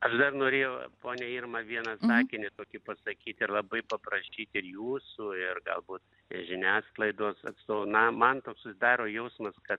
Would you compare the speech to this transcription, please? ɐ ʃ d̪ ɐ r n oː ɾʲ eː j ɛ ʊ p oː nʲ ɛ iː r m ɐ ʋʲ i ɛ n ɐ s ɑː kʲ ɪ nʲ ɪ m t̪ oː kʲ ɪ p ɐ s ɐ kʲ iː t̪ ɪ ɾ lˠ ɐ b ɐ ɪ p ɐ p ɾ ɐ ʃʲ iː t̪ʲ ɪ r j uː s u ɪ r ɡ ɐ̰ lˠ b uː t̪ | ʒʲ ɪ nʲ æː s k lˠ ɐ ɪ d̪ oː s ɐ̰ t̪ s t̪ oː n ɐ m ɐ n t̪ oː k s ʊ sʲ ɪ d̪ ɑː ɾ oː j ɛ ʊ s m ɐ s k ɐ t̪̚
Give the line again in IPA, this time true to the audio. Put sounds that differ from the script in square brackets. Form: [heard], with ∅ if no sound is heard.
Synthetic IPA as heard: ɐ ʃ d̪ ɐ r n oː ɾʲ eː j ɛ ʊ p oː nʲ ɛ iː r m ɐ ʋʲ i ɛ n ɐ s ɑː kʲ ɪ nʲ ɪ [∅] t̪ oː kʲ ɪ p ɐ s ɐ kʲ iː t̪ ɪ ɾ lˠ ɐ b ɐ ɪ p ɐ p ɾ ɐ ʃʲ iː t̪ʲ ɪ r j uː s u ɪ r ɡ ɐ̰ lˠ b uː t̪ | ʒʲ ɪ nʲ æː s k lˠ ɐ ɪ d̪ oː s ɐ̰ t̪ s t̪ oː n ɐ m ɐ n t̪ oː k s ʊ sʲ ɪ d̪ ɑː ɾ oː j ɛ ʊ s m ɐ s k ɐ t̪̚